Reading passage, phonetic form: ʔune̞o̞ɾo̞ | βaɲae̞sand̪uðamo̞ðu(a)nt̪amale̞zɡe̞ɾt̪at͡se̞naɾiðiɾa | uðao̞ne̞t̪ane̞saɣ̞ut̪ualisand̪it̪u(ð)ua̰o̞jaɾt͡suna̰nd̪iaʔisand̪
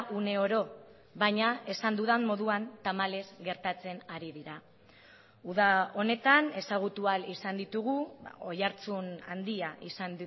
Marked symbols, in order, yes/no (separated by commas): yes, no